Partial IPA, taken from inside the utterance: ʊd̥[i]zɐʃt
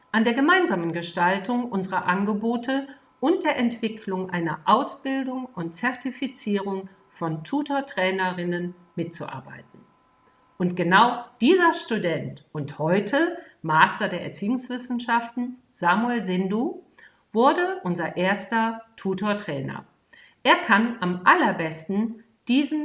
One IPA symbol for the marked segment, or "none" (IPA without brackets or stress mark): iː